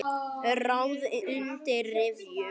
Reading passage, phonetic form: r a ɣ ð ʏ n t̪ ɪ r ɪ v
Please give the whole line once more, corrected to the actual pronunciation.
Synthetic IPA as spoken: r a w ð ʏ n t̪ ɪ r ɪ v